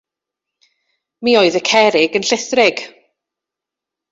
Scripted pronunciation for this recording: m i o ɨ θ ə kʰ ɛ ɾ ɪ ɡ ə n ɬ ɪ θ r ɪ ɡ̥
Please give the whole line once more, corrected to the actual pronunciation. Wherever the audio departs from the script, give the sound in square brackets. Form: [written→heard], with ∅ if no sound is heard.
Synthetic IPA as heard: m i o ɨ [θ→ð] ə kʰ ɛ ɾ ɪ ɡ ə n ɬ ɪ θ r ɪ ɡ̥